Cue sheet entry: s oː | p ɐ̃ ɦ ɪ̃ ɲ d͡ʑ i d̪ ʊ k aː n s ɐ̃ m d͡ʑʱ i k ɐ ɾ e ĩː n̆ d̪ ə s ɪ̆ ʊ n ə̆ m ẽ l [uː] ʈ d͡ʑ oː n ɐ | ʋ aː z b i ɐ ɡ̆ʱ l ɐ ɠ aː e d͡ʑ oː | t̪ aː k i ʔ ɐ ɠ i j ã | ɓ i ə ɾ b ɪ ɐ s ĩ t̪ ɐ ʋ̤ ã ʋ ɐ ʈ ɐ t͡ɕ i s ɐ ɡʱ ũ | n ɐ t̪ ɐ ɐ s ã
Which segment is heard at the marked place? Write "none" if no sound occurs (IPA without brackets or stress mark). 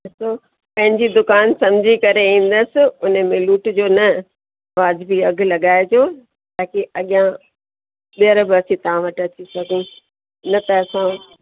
uː